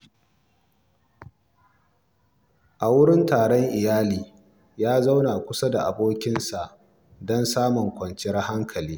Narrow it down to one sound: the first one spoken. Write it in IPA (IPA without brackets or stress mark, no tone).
ʔ